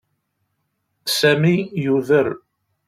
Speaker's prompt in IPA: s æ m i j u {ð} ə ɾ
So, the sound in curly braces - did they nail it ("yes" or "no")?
yes